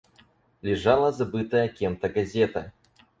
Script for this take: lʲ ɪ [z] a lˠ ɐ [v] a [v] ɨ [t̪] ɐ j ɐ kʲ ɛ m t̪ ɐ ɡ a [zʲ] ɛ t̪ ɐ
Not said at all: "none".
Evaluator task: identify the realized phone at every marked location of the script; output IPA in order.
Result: ʐ, z, b, t̪, zʲ

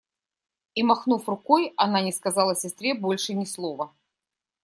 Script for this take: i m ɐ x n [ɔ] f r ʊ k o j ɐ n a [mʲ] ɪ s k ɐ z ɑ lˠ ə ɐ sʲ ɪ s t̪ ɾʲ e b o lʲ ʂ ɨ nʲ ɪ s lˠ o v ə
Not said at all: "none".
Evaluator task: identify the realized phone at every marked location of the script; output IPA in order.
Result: u, nʲ

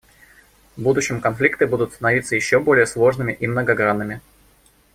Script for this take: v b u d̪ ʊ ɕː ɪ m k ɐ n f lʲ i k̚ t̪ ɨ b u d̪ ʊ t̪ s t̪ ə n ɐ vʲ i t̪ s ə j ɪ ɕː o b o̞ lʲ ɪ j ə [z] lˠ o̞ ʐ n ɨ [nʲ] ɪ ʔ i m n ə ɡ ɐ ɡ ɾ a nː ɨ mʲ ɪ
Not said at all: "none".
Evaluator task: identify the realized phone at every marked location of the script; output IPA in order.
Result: s, mʲ

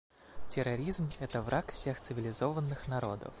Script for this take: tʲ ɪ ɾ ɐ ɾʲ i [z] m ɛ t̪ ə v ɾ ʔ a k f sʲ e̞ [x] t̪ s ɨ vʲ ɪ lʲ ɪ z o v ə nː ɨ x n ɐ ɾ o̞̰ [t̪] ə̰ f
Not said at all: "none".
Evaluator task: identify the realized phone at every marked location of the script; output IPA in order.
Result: z, x, d̪

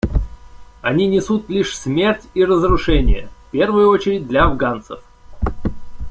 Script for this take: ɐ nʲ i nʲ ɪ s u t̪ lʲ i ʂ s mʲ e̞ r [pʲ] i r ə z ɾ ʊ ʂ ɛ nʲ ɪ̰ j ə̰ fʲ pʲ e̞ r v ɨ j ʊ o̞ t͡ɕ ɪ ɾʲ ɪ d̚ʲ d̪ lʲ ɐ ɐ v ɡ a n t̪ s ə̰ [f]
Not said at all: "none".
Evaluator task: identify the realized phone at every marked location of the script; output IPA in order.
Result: tʲ, f

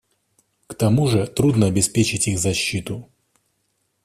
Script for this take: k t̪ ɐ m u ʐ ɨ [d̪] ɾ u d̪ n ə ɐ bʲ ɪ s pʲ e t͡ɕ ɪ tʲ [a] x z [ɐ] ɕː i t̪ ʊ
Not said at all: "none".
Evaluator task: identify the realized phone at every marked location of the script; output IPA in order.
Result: t̪, i, ɐ

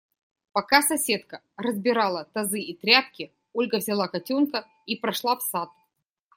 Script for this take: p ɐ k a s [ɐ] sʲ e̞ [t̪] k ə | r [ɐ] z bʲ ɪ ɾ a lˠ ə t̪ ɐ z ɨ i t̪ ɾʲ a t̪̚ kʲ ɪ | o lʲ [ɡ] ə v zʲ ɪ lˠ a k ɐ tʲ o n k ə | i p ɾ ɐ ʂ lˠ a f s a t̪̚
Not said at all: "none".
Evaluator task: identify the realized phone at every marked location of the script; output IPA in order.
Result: ɐ, t̪, ə, ɡ

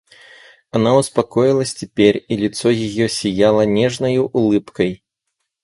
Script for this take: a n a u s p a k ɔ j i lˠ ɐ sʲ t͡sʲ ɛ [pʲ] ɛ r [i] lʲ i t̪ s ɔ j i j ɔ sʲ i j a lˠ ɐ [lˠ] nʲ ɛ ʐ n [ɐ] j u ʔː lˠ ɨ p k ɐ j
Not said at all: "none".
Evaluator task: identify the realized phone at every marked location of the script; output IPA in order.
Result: pʲ, i, none, ɐ

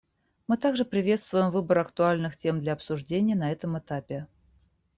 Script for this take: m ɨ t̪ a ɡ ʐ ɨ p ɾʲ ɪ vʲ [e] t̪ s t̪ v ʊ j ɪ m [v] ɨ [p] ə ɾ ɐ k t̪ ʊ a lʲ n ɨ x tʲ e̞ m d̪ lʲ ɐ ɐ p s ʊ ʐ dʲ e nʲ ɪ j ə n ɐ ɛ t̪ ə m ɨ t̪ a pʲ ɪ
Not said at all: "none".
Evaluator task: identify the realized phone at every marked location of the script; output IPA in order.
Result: e, v, b

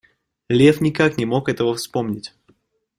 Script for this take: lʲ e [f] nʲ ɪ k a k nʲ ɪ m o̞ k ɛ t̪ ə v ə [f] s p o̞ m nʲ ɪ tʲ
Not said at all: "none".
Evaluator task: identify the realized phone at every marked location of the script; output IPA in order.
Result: f, f

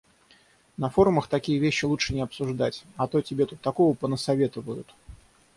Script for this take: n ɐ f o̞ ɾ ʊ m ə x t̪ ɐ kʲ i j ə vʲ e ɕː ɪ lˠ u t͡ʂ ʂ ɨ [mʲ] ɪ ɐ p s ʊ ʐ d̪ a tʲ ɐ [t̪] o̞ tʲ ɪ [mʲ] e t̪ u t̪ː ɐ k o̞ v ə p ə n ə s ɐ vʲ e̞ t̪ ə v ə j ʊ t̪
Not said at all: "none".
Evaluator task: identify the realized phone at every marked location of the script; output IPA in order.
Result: nʲ, t̪, bʲ

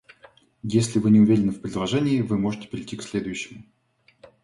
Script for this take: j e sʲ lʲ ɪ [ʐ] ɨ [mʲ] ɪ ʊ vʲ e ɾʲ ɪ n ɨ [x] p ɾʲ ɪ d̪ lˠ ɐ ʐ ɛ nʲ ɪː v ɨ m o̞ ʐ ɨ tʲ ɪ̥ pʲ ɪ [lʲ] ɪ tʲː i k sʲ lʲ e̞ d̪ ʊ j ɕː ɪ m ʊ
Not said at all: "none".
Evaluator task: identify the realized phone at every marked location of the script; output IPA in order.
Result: v, nʲ, f, ɾʲ

